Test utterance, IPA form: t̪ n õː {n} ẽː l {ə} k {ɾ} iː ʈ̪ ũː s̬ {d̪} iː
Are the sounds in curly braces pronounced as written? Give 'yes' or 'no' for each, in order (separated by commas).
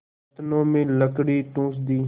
no, yes, no, yes